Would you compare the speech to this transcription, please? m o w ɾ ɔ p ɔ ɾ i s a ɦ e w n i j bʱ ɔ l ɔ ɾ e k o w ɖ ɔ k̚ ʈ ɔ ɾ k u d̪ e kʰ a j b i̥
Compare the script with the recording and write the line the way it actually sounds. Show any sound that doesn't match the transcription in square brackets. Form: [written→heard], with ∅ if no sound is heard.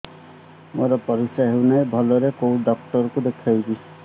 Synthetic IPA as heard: m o [w→∅] ɾ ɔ p ɔ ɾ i s a ɦ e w n [i→a] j bʱ ɔ l ɔ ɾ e k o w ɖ ɔ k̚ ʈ ɔ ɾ k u d̪ e kʰ a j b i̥